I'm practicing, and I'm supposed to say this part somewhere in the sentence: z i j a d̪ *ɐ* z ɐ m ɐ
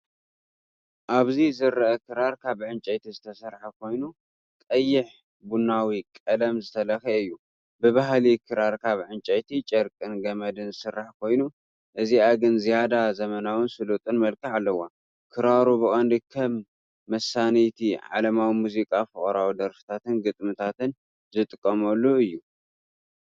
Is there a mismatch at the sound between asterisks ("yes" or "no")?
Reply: yes